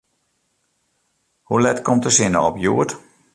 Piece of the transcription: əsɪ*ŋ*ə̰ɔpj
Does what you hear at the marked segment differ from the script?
yes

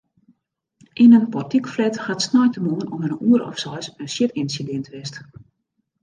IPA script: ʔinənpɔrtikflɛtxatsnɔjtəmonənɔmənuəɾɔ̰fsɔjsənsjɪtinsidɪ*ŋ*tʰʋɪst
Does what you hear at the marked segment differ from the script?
yes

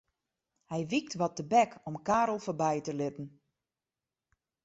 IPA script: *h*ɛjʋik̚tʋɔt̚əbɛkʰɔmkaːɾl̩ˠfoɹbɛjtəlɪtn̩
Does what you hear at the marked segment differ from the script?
no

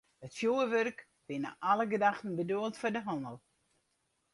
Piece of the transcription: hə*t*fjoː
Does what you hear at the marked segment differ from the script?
no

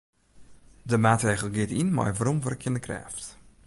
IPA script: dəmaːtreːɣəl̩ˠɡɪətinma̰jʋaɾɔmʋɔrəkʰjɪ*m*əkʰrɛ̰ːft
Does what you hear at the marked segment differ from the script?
yes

